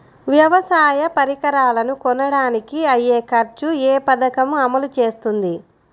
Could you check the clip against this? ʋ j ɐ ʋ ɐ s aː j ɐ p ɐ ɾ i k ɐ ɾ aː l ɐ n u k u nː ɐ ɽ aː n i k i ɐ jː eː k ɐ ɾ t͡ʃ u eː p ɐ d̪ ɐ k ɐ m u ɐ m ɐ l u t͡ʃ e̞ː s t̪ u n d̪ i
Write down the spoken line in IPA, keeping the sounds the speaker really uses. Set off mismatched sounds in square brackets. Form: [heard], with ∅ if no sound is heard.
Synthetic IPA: ʋ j ɐ ʋ ɐ s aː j ɐ p ɐ ɾ i k ɐ ɾ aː l ɐ n u k [ɔ] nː ɐ ɽ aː n i k i ɐ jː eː k ɐ ɾ t͡ʃ u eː p ɐ d̪ ɐ k ɐ m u ɐ m ɐ l u t͡ʃ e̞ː s t̪ u n d̪ i